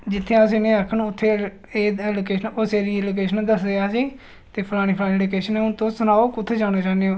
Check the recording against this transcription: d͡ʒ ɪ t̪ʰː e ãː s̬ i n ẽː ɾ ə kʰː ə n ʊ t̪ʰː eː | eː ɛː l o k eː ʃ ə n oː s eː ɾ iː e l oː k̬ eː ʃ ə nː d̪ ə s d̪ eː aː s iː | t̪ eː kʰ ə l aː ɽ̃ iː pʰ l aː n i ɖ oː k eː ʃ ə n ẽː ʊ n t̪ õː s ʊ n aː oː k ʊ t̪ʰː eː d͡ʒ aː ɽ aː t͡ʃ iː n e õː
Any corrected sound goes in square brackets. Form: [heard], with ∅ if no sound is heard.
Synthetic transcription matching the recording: d͡ʒ ɪ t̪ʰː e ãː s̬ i n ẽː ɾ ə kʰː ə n ʊ t̪ʰː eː | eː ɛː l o k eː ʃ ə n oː s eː ɾ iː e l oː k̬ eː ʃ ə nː d̪ ə s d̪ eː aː s iː | t̪ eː [pʰ] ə l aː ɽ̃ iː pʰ l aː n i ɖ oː k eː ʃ ə n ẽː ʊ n t̪ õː s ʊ n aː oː k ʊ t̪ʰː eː d͡ʒ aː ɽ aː t͡ʃ [aː] n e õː

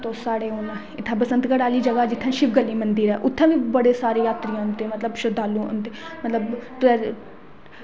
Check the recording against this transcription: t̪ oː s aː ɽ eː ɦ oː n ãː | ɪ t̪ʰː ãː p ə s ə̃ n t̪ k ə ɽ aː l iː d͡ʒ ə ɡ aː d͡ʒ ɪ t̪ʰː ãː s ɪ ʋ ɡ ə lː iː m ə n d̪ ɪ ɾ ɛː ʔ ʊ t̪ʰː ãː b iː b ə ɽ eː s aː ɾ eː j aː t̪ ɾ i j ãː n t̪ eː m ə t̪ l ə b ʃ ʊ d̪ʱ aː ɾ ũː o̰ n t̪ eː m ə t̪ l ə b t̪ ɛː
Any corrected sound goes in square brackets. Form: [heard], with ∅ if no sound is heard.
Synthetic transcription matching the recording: t̪ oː s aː ɽ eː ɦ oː n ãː | ɪ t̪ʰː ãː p ə s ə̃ n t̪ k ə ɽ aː l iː d͡ʒ ə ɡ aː d͡ʒ ɪ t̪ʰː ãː [ʃ] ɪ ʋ ɡ ə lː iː m ə n d̪ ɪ ɾ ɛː ʔ ʊ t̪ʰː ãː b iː b ə ɽ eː s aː ɾ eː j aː t̪ ɾ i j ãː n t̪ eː m ə t̪ l ə b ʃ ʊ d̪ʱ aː [l] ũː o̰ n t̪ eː m ə t̪ l ə b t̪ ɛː

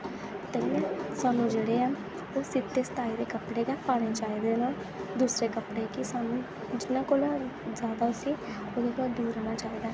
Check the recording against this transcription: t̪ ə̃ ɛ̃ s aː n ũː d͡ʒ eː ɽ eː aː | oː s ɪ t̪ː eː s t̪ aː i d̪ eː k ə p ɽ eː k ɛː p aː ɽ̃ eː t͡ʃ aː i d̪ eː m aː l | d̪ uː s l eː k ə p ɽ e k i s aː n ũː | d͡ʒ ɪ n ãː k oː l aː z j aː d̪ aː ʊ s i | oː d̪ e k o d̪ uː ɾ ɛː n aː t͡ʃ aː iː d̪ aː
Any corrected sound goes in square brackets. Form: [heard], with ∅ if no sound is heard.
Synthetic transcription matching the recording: t̪ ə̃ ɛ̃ s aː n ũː d͡ʒ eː ɽ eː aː | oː s ɪ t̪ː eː s t̪ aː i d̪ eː k ə p ɽ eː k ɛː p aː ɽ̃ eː t͡ʃ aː i d̪ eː [n] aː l | d̪ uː s [ɾ] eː k ə p ɽ e k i s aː n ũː | d͡ʒ ɪ n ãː k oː l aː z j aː d̪ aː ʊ s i | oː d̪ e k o d̪ uː ɾ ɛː n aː t͡ʃ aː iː d̪ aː

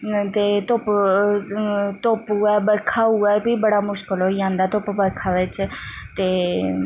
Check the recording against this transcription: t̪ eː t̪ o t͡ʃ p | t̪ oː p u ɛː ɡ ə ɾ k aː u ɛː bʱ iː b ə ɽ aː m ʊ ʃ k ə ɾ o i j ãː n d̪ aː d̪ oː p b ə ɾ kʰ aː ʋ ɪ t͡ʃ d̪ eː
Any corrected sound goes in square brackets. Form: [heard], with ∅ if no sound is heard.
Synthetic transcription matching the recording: t̪ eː t̪ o [∅] p | t̪ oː p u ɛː [b] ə ɾ [kʰ] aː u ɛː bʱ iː b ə ɽ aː m ʊ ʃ k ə [l] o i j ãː n d̪ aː [t̪] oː p b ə ɾ kʰ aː ʋ ɪ t͡ʃ [t̪] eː

